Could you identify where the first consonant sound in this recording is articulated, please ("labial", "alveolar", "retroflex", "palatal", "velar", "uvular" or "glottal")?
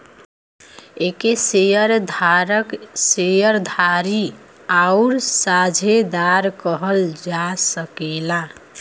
velar